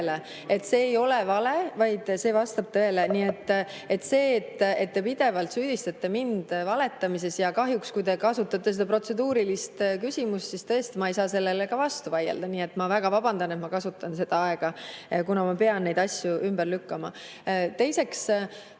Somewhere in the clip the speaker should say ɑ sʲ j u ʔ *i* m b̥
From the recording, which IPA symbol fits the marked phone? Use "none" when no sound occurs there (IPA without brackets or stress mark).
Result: y